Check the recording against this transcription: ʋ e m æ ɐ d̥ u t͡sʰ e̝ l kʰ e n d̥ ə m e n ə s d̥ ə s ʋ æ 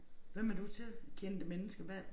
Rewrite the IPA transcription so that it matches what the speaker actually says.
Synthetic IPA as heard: ʋ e m æ ɐ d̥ u t͡sʰ e̝ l kʰ e n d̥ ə m e n ə s ɡ̥ ə ʋ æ